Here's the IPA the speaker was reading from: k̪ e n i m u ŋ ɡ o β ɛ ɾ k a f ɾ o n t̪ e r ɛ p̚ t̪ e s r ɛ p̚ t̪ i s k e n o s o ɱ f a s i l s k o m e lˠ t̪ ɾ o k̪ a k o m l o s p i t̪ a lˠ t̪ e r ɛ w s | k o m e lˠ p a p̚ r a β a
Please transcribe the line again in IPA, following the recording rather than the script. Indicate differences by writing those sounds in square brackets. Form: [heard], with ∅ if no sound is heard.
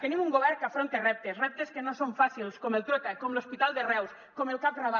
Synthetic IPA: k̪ e n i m u ŋ ɡ o β ɛ ɾ k a f ɾ o n t̪ e r ɛ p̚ t̪ e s r ɛ p̚ t̪ [e] s k e n o s o ɱ f a s i l s k o m e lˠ t̪ ɾ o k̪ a k o m l o s p i t̪ a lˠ [d̪] e r ɛ w s | k o m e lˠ [k] a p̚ r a β a